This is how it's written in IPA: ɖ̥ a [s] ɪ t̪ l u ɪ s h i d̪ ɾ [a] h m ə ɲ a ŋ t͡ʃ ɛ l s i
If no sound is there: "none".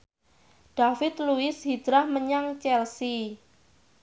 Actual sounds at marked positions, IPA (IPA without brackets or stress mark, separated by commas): f, a